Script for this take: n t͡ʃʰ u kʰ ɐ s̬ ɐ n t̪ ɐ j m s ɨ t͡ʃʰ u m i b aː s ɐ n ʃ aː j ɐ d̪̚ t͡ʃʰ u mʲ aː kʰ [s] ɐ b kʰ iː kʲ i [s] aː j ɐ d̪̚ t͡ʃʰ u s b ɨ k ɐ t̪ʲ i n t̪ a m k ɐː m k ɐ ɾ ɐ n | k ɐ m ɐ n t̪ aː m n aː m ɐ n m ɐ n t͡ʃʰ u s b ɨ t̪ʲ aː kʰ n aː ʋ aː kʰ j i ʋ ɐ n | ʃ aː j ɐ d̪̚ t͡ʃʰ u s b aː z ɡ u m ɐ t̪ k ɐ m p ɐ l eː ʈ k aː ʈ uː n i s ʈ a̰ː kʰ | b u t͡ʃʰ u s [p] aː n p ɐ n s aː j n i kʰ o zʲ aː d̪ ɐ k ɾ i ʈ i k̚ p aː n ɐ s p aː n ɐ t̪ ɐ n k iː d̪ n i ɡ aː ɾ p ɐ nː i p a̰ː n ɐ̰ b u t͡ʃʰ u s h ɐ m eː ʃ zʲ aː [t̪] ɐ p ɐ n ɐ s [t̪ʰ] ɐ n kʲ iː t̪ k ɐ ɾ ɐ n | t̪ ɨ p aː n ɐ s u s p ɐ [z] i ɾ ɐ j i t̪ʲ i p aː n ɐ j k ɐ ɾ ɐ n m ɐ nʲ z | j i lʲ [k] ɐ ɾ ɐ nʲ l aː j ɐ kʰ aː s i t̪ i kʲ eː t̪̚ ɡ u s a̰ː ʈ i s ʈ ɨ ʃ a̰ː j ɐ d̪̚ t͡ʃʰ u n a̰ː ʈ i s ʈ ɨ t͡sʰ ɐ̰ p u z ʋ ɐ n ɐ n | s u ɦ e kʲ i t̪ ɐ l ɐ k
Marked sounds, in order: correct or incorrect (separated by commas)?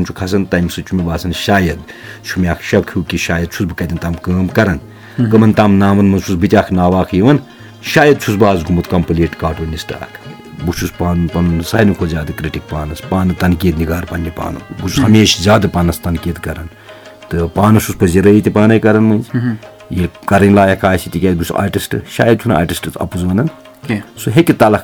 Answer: incorrect, incorrect, correct, incorrect, incorrect, correct, correct